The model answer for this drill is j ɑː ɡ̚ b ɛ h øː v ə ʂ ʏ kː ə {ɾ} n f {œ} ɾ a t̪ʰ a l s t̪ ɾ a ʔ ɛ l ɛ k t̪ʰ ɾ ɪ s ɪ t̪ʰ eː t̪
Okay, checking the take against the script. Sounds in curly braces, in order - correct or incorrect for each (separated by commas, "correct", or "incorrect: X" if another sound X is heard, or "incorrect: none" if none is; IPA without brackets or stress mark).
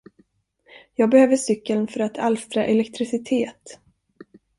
incorrect: l, correct